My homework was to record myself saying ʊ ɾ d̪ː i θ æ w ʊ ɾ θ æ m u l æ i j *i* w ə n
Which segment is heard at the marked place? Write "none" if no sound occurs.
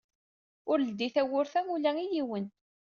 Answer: i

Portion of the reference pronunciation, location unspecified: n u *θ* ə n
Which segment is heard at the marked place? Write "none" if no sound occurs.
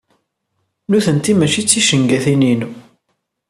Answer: θ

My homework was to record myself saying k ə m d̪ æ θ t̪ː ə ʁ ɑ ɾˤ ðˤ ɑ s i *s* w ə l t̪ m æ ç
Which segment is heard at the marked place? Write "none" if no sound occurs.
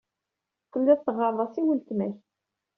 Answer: none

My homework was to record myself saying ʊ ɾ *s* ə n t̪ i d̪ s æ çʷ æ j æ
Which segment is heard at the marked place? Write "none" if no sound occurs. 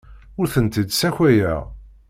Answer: θ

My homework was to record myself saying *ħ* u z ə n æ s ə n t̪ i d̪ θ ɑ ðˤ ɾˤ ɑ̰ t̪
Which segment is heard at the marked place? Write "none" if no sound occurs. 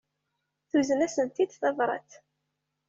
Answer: θ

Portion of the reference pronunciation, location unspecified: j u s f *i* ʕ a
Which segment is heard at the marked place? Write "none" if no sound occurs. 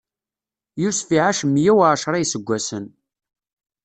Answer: i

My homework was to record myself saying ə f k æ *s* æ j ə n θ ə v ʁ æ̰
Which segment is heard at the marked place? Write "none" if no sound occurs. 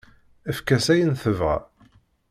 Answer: s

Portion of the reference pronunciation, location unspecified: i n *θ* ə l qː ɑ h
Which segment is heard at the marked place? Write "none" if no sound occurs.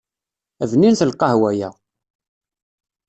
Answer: θ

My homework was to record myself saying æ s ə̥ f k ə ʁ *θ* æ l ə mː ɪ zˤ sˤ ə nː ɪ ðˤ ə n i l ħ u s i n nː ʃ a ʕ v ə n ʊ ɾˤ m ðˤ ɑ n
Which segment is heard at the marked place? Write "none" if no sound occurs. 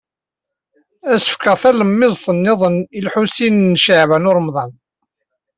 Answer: θ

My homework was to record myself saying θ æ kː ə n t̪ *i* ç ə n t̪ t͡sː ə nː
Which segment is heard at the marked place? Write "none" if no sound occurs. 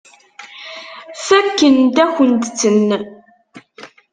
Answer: æ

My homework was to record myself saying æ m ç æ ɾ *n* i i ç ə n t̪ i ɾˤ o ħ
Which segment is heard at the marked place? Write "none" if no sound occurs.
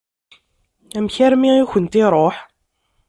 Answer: m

